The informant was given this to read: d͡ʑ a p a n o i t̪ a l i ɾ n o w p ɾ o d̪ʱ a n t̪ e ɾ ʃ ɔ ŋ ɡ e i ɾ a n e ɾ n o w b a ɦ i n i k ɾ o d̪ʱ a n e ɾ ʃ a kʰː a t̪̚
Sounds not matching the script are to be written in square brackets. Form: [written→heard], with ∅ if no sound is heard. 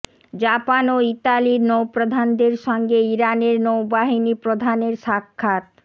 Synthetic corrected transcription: d͡ʑ a p a n o i t̪ a l i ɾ n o w p ɾ o d̪ʱ a n [t̪→d̪] e ɾ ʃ ɔ ŋ ɡ e i ɾ a n e ɾ n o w b a ɦ i n i [k→p] ɾ o d̪ʱ a n e ɾ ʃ a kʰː a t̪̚

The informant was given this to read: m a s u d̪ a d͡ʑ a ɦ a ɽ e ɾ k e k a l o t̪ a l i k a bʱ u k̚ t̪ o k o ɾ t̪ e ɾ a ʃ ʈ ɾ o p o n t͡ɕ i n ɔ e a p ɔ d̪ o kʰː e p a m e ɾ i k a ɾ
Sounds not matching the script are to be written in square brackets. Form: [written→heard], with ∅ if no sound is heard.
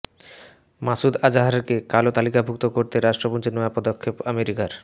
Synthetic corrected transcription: m a s u d̪ a d͡ʑ a ɦ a [ɽ→ɾ] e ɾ k e k a l o t̪ a l i k a bʱ u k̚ t̪ o k o ɾ t̪ e ɾ a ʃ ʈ ɾ o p o n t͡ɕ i n ɔ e a p ɔ d̪ o kʰː e p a m e ɾ i k a ɾ

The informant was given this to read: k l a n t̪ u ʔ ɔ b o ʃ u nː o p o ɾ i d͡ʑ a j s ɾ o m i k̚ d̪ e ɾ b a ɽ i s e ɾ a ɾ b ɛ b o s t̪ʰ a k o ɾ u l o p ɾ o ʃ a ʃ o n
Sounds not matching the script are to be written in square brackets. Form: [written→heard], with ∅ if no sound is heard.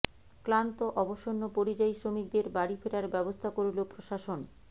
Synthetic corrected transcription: k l a n t̪ [u→o] ʔ ɔ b o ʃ [u→o] nː o p o ɾ i d͡ʑ a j s ɾ o m i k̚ d̪ e ɾ b a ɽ i [s→f] e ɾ a ɾ b ɛ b o s t̪ʰ a k o ɾ u l o p ɾ o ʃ a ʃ o n

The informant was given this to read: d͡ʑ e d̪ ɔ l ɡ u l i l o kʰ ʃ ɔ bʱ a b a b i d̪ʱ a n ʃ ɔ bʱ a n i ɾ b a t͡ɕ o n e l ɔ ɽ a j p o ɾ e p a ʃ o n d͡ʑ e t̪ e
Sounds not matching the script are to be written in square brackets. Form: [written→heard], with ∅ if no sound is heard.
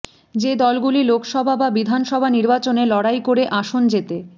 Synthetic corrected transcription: d͡ʑ e d̪ ɔ l ɡ u l i l o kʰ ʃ ɔ bʱ a b a b i d̪ʱ a n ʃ ɔ bʱ a n i ɾ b a t͡ɕ o n e l ɔ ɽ a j [p→k] o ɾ e [p→ʔ] a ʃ o n d͡ʑ e t̪ e

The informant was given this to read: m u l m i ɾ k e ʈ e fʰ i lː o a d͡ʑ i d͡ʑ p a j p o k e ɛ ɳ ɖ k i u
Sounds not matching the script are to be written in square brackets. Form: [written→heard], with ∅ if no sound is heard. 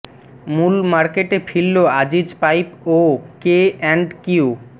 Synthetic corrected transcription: m u l m [i→a] ɾ k e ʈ e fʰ i lː o a d͡ʑ i d͡ʑ p a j p o k e ɛ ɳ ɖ k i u

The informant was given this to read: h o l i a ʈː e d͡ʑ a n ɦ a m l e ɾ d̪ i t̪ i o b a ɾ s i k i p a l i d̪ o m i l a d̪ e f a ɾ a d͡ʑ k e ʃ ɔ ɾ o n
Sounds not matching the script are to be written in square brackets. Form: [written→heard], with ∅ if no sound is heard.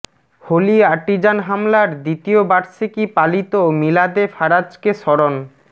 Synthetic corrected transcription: h o l i a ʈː [e→i] d͡ʑ a n ɦ a m l [e→a] ɾ d̪ i t̪ i o b a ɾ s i k i p a l i [d̪→t̪] o m i l a d̪ e f a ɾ a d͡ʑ k e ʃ ɔ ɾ o n

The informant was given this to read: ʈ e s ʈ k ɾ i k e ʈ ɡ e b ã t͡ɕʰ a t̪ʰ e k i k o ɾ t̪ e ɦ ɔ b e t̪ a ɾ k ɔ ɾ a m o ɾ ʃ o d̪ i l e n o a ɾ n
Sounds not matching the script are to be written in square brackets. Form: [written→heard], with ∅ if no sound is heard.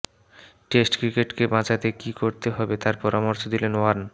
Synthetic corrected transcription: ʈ e s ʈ k ɾ i k e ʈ [ɡ→k] e b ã [t͡ɕʰ→t͡ɕ] a [t̪ʰ→t̪] e k i k o ɾ t̪ e ɦ ɔ b e t̪ a ɾ [k→p] ɔ ɾ a m o ɾ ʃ o d̪ i l e n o a ɾ n

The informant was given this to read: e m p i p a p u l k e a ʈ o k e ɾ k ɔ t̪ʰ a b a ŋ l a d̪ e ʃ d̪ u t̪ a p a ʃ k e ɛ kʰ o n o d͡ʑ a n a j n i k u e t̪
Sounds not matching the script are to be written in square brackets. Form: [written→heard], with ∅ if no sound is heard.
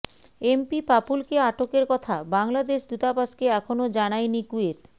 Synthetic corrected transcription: e m p i p a p u l k e a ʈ o k e ɾ k ɔ t̪ʰ a b a ŋ l a d̪ e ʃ d̪ u t̪ a p a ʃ k e ɛ kʰ o n o d͡ʑ a n a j n i k u e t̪

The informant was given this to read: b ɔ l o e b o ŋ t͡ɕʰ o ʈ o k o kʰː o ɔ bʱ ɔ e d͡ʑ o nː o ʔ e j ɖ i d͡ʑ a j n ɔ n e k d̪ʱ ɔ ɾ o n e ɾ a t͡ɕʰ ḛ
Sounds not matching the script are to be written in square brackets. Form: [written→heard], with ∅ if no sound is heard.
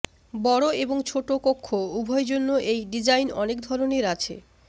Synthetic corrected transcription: b ɔ [l→ɽ] o e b o ŋ t͡ɕʰ o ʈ o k o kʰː o [ɔ→u] bʱ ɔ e d͡ʑ o nː o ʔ e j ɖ i d͡ʑ a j n ɔ n e k d̪ʱ ɔ ɾ o n e ɾ a t͡ɕʰ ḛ

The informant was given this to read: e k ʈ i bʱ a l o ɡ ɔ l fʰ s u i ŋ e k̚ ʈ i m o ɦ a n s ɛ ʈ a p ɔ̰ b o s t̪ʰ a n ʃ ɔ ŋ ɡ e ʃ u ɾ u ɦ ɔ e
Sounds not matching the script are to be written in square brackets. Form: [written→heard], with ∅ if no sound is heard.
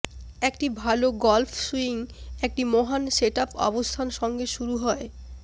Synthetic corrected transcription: e k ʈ i bʱ a l o ɡ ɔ l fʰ s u i ŋ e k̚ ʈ i m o ɦ a n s [ɛ→e] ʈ a p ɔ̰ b o s t̪ʰ a n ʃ ɔ ŋ ɡ e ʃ u ɾ u ɦ ɔ e

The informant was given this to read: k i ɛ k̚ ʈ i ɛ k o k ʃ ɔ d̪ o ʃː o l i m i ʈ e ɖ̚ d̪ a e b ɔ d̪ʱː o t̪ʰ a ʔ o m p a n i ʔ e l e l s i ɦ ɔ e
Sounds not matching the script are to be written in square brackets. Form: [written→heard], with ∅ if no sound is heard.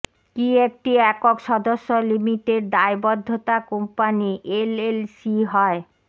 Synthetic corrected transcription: k i [ɛ→e] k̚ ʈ i ɛ k o k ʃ ɔ d̪ o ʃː o l i m i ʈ e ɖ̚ d̪ a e b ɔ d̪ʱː o [t̪ʰ→t̪] a [ʔ→k] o m p a n i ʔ e l e l s i ɦ ɔ e

